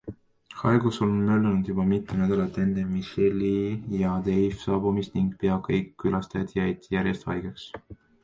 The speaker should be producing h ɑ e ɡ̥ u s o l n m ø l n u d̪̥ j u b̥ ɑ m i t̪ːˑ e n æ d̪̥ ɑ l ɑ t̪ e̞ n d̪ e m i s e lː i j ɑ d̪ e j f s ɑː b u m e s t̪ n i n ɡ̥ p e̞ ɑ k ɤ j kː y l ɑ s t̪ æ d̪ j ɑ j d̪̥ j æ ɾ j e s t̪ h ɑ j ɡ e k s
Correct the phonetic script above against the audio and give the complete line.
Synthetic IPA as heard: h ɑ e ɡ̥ u s o l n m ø l n u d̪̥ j u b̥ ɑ m i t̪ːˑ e n æ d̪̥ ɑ l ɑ t̪ e̞ n d̪ e m i s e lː i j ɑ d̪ e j f s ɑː b u m i s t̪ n i ŋ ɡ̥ p e̞ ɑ k ɤ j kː y l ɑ s t̪ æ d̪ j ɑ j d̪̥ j æ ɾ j e s t̪ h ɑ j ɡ e k s